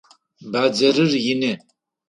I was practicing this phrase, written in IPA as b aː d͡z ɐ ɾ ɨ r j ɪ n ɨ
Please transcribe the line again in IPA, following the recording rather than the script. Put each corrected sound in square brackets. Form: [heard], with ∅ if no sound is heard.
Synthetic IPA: b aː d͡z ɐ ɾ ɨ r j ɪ n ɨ